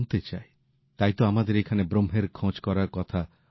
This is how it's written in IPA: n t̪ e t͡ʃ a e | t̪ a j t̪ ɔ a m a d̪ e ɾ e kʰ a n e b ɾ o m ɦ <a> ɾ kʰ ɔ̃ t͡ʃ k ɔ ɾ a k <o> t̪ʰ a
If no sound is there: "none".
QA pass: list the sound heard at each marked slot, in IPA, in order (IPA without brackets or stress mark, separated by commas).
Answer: e, ɔ